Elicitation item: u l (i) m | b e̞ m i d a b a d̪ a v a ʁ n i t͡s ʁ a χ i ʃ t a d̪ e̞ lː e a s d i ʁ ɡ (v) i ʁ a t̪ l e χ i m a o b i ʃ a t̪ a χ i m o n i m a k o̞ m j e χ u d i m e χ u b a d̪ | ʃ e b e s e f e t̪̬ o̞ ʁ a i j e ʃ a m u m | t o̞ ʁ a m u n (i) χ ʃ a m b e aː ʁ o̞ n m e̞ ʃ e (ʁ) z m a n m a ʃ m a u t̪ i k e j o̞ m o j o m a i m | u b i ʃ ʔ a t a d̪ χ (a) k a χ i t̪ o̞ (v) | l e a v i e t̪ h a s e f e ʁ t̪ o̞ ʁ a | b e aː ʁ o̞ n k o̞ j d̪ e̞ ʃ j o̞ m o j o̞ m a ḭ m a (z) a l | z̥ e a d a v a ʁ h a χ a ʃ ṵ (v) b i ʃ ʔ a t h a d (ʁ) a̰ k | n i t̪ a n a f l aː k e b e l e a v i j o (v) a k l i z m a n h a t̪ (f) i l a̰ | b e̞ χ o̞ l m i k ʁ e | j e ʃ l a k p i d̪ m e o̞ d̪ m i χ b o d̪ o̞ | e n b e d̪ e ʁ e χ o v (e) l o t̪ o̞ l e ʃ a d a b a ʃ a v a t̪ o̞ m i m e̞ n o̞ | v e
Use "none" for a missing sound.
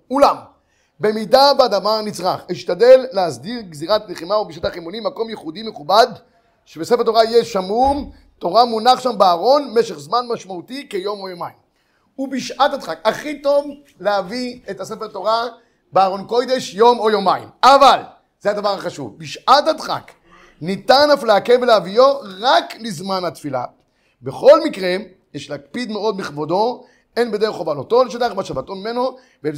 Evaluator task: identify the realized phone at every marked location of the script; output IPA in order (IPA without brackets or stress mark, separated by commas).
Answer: a, z, a, χ, a, v, v, v, χ, ʁ, f, a